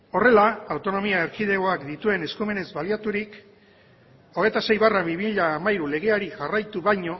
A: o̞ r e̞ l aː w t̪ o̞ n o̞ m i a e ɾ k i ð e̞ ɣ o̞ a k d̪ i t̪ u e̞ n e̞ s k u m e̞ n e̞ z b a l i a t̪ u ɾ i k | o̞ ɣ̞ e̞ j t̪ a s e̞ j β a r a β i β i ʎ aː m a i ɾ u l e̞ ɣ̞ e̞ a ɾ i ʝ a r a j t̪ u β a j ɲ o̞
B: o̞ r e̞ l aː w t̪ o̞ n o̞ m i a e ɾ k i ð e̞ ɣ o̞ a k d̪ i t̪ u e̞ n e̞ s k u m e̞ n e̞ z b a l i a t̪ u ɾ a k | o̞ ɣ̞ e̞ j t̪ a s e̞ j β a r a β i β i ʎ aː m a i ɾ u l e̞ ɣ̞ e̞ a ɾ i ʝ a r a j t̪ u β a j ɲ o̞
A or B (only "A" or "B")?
A